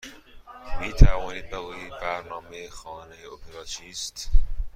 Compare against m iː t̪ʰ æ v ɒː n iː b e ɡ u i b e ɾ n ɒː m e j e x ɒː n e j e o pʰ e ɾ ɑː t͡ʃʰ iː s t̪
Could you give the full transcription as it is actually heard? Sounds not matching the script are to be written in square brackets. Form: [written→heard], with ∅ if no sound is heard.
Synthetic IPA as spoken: m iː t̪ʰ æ v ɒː n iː b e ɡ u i b [e→æ] ɾ n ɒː m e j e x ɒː n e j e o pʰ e ɾ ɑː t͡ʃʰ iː s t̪